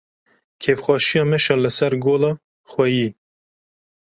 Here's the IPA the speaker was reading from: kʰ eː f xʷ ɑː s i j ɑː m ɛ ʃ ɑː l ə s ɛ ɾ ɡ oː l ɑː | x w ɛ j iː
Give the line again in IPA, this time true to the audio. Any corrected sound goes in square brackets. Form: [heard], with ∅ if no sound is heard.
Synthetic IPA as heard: kʰ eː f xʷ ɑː [ʃ] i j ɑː m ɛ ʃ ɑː l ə s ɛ ɾ ɡ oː l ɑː | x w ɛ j iː